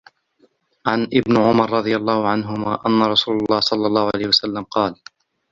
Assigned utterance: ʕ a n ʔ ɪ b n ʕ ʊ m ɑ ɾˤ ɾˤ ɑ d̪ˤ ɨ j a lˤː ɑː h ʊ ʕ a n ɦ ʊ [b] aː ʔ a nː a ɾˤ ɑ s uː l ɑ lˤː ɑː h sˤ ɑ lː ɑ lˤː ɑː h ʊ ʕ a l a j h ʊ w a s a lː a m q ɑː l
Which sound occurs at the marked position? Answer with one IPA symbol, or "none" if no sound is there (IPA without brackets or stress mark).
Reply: m